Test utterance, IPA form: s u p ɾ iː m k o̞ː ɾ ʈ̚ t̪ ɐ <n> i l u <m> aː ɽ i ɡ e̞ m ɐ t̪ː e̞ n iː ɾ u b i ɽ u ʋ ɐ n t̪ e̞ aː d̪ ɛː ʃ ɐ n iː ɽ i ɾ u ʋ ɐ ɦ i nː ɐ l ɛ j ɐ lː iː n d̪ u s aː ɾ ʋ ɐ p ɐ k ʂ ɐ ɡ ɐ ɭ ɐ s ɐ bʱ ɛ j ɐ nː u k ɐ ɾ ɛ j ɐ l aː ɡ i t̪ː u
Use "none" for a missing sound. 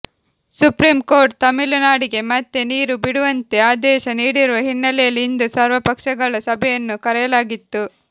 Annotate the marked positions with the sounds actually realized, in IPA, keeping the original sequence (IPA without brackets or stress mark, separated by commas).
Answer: m, n